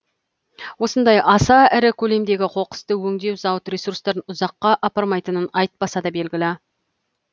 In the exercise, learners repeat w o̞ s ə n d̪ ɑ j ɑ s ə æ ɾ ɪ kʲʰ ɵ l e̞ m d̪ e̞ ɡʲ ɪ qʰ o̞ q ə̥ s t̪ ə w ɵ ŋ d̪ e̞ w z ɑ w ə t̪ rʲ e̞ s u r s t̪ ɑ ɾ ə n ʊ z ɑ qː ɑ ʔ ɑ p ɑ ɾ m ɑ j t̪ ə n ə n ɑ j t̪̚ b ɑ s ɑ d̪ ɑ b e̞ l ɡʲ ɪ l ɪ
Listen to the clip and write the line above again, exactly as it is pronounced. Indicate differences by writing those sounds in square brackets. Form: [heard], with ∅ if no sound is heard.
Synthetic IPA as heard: w o̞ s ə n d̪ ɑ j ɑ s [ɑ] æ ɾ ɪ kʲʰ ɵ l e̞ m d̪ e̞ ɡʲ ɪ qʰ o̞ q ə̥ s t̪ ə w ɵ ŋ d̪ e̞ w z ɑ w ə t̪ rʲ e̞ s u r s t̪ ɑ ɾ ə n ʊ z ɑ qː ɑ ʔ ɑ p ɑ ɾ m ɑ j t̪ ə n ə n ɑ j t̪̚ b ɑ s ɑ d̪ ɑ b e̞ l ɡʲ ɪ l ɪ